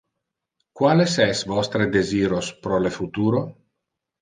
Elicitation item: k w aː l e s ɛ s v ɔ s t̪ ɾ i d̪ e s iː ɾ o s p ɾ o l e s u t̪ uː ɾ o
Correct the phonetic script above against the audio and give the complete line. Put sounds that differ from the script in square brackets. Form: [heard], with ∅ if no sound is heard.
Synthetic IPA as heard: k w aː l e s ɛ s v ɔ s t̪ ɾ [e] d̪ e [z] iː ɾ o s p ɾ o l e [f] u t̪ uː ɾ o